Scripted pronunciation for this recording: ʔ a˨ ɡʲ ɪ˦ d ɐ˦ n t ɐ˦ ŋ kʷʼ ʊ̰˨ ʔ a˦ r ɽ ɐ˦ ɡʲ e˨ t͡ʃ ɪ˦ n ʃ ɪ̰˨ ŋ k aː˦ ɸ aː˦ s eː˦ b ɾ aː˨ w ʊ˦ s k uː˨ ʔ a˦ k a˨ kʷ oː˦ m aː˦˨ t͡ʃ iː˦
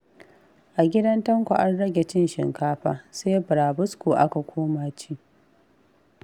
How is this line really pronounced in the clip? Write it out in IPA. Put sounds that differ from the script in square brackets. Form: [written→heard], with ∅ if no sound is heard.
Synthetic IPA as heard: ʔ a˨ ɡʲ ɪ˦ d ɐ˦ n t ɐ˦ ŋ [kʷʼ→kʷ] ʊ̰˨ ʔ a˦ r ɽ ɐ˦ ɡʲ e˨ t͡ʃ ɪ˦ n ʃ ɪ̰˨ ŋ k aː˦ ɸ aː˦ s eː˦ b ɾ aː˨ [w→b] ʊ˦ s k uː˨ ʔ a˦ k a˨ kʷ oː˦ m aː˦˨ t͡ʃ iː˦